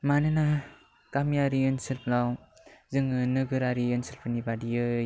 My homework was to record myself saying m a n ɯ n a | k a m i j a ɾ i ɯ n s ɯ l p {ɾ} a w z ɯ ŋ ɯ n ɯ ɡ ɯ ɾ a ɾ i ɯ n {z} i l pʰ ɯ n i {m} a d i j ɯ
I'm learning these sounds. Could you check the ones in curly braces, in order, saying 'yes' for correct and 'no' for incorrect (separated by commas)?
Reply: no, no, no